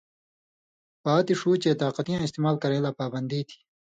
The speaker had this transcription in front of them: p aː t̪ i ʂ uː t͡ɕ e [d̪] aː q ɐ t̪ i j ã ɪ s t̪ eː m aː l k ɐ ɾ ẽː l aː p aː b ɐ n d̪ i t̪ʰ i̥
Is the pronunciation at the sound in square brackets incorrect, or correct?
incorrect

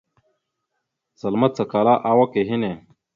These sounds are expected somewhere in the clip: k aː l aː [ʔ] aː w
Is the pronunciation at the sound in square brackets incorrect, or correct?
correct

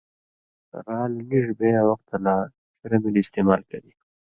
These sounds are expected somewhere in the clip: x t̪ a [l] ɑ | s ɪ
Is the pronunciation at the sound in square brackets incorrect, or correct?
correct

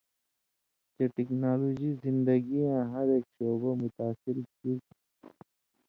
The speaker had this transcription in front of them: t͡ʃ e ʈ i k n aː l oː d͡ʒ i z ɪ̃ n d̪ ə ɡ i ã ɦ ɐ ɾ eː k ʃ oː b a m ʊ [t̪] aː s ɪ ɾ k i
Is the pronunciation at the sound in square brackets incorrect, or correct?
correct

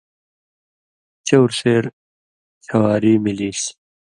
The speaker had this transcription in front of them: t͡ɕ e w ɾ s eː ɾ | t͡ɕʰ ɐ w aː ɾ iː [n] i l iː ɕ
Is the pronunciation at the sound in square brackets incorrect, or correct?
incorrect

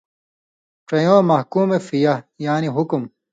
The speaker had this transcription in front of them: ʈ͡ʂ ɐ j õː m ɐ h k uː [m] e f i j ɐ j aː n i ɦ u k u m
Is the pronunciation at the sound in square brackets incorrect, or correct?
correct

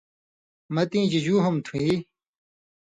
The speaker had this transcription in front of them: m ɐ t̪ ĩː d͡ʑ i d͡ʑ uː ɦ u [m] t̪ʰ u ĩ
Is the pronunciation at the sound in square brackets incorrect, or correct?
correct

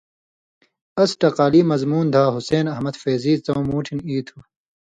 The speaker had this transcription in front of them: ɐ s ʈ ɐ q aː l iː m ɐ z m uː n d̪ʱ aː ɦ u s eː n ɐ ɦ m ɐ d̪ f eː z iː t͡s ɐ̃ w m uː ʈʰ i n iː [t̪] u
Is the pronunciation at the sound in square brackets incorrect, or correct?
incorrect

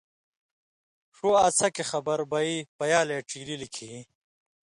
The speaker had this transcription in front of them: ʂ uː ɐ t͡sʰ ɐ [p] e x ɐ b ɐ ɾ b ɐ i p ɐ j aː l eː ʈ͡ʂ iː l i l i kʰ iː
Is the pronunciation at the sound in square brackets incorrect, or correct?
incorrect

